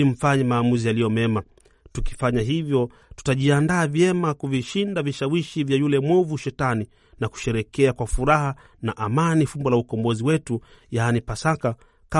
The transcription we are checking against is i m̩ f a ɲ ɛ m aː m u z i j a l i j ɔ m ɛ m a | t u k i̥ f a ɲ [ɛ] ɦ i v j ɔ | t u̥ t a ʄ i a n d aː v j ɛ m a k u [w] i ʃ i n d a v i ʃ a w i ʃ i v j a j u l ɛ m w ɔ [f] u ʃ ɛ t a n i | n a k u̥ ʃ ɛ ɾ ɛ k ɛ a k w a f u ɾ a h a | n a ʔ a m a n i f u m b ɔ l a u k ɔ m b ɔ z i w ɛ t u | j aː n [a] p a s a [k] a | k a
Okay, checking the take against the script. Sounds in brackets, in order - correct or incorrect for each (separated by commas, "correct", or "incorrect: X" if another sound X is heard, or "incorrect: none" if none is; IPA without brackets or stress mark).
incorrect: a, incorrect: v, incorrect: v, incorrect: i, correct